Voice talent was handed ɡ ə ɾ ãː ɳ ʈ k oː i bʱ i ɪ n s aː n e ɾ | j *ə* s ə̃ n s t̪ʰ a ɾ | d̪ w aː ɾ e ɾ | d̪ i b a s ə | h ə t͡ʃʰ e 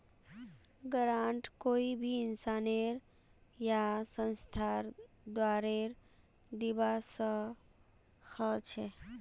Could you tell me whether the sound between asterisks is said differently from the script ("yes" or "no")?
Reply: yes